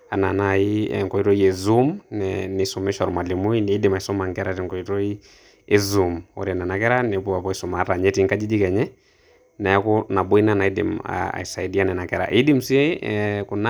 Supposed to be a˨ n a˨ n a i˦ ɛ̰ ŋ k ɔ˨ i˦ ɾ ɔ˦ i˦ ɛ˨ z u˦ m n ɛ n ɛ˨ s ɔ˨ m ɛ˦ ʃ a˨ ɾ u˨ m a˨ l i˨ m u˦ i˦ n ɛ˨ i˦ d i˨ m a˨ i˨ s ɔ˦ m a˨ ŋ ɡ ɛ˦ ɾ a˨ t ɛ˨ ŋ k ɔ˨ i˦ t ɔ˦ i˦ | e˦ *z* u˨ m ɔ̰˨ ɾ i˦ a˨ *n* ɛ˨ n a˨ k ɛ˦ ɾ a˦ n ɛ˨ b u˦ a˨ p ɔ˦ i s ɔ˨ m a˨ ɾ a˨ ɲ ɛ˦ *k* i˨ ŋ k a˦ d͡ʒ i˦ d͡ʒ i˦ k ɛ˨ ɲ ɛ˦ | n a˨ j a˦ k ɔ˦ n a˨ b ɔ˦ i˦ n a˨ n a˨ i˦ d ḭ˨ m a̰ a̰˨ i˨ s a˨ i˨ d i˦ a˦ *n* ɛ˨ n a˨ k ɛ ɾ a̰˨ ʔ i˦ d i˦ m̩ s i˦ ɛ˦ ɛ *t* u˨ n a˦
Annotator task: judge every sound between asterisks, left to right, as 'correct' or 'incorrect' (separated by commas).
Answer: correct, correct, incorrect, correct, incorrect